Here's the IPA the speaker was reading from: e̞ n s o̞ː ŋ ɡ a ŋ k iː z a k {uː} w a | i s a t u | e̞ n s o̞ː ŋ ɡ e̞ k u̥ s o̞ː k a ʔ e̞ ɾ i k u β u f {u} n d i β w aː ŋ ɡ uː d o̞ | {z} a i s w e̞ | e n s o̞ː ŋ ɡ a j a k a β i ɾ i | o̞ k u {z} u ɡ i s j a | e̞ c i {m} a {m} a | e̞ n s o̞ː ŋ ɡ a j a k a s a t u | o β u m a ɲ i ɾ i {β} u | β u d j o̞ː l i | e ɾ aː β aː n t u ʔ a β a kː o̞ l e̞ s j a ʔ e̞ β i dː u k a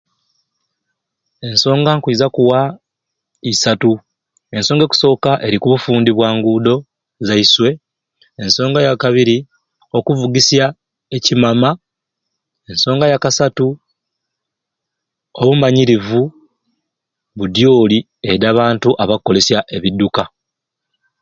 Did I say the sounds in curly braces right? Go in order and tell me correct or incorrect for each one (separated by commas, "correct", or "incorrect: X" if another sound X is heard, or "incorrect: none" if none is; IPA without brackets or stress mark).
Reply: incorrect: u, incorrect: uː, correct, incorrect: v, correct, correct, incorrect: v